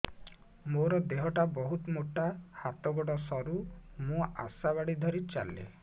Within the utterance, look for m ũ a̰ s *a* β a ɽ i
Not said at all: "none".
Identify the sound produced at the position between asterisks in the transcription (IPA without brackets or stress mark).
a